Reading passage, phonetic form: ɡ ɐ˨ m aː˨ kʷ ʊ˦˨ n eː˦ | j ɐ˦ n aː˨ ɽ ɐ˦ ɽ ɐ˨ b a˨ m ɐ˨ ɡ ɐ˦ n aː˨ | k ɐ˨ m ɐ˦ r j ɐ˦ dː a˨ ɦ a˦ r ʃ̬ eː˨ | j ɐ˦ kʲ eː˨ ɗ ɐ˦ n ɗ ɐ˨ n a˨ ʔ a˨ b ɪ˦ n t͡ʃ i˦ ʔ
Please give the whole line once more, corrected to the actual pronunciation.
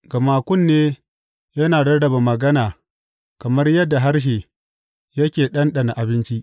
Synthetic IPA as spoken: ɡ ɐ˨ m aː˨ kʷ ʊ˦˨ nː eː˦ | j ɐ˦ n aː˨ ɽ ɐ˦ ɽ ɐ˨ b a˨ m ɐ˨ ɡ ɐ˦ n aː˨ | k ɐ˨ m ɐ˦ r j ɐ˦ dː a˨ ɦ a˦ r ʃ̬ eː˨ | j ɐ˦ kʲ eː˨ ɗ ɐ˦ n ɗ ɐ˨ n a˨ ʔ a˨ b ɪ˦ n t͡ʃ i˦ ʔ

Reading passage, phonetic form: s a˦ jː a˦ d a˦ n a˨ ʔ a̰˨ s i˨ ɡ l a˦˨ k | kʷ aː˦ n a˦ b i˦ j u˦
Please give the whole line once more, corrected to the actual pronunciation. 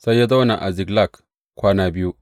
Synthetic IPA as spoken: s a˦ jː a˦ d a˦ n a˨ ʔ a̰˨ z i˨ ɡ l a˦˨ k | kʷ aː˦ n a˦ b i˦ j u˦

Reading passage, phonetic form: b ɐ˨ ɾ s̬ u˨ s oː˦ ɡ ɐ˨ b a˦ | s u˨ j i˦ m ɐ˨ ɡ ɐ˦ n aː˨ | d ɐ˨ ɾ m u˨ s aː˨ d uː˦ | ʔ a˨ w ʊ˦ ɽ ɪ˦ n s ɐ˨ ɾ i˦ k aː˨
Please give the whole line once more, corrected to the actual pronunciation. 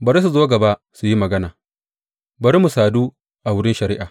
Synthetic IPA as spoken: b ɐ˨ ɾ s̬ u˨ z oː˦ ɡ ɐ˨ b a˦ | s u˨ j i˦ m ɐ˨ ɡ ɐ˦ n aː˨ | b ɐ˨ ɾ m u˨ s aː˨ d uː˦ | ʔ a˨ w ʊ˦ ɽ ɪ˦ n ʃ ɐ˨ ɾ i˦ ʔ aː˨

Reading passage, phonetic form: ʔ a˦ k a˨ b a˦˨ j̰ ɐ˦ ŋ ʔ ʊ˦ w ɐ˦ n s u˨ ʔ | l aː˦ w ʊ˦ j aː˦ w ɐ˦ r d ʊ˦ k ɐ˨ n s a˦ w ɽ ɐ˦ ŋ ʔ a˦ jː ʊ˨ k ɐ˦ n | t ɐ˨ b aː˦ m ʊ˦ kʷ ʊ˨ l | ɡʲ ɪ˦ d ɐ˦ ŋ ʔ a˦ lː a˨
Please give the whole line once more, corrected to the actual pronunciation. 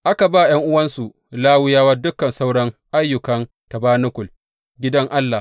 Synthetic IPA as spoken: ʔ a˦ k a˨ b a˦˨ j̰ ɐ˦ ŋ ʔ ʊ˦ w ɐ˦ n s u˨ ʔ | l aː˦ w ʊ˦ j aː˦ w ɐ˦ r d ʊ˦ k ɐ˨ n s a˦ w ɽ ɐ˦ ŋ ʔ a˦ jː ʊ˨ k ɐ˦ n | t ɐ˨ b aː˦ n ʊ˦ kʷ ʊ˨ l | ɡʲ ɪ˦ d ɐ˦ ŋ ʔ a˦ lː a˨

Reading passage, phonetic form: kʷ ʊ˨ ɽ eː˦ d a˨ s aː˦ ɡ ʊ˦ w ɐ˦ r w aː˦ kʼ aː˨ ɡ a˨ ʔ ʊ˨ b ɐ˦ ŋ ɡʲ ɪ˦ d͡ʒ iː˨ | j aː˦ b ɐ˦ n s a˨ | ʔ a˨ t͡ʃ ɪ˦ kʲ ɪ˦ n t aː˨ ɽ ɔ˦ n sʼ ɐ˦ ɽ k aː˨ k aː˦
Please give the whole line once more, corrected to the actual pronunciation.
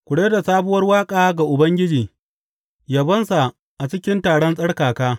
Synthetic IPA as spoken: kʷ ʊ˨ ɽ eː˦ d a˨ s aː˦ b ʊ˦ w ɐ˦ r w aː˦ kʼ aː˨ ɡ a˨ ʔ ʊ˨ b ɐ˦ ŋ ɡʲ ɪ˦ d͡ʒ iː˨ | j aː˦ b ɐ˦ n s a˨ | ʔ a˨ t͡ʃ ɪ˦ kʲ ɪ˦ n t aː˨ ɽ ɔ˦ n sʼ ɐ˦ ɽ k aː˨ k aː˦

